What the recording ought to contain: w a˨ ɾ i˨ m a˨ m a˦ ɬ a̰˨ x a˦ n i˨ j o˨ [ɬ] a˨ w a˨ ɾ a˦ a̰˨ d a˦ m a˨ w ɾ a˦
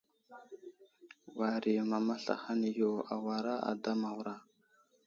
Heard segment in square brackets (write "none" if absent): none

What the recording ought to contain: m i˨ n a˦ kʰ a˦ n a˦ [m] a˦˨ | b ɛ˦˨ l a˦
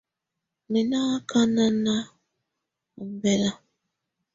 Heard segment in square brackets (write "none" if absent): n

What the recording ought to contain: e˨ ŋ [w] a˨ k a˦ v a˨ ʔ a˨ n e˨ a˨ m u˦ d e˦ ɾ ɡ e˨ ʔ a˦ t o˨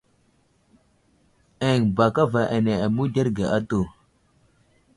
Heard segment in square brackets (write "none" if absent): b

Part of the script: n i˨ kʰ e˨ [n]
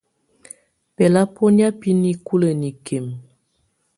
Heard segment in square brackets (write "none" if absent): m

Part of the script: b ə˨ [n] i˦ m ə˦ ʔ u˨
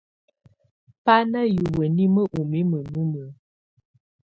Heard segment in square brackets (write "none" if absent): n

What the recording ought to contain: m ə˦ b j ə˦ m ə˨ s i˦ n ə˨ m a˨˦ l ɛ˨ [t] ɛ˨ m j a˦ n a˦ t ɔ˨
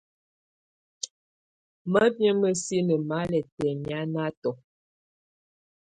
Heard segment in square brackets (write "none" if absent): t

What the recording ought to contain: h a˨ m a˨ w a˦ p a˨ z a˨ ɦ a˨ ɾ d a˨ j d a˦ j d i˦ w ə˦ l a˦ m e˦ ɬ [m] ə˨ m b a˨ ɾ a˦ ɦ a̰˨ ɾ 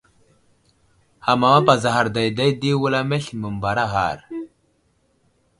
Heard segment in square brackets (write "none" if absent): m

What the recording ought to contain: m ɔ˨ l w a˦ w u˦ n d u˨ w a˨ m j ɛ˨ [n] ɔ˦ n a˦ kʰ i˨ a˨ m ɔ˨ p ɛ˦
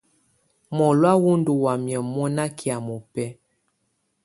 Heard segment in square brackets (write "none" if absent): m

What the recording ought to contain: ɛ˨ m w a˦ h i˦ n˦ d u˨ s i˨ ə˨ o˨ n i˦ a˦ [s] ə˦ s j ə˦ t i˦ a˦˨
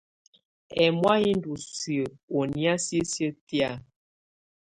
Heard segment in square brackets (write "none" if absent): s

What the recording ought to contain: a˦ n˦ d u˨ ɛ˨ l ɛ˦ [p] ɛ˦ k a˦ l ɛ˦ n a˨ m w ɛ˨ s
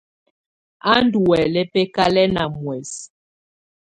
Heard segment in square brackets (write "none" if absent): p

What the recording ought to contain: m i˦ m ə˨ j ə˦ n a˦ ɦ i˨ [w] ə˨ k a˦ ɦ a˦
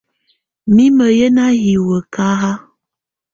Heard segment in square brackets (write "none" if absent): w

